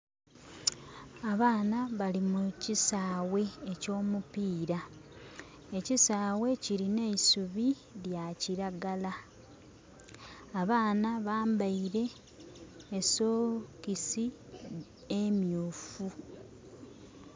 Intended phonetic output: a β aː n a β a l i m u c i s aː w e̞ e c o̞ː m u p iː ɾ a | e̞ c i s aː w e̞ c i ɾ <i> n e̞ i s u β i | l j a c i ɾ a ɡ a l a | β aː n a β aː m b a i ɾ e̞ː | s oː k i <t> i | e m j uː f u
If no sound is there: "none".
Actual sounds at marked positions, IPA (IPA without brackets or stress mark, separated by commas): i, s